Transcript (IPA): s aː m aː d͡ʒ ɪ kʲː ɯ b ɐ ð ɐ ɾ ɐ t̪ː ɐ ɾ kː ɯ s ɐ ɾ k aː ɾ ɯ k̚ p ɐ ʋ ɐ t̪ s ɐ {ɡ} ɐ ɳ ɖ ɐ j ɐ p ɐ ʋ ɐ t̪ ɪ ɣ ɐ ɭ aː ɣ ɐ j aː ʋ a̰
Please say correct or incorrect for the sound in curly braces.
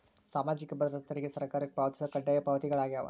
incorrect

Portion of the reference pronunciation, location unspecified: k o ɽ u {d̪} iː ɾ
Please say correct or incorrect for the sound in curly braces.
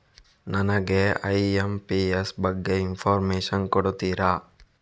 incorrect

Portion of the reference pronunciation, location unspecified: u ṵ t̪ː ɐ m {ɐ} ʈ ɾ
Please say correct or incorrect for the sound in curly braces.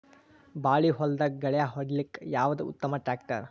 correct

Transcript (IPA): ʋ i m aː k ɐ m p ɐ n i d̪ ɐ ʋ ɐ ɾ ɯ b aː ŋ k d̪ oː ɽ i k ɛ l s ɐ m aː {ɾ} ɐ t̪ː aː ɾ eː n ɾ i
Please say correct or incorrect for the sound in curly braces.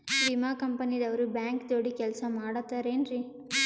incorrect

